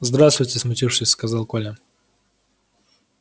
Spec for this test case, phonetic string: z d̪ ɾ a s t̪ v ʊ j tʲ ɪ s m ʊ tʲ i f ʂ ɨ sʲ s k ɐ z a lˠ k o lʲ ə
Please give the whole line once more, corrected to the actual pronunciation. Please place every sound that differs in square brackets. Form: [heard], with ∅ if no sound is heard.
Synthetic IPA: z d̪ ɾ a s t̪ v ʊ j tʲ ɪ s m ʊ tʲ i f ʂ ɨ sʲ s k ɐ z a lˠ k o lʲ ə